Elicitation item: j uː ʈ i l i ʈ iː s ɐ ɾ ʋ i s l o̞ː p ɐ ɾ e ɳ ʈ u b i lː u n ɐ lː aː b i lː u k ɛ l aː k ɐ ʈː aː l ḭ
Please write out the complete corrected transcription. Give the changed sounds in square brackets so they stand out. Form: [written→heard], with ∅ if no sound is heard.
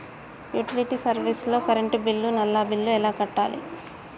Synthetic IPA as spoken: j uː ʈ i l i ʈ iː s ɐ ɾ ʋ i s l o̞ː [p→k] ɐ ɾ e ɳ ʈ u b i lː u n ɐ lː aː b i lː u [k→∅] ɛ l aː k ɐ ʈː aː l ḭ